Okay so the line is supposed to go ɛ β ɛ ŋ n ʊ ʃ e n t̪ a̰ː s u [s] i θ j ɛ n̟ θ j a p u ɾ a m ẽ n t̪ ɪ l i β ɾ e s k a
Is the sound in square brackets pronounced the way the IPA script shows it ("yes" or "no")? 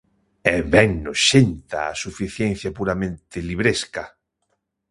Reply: no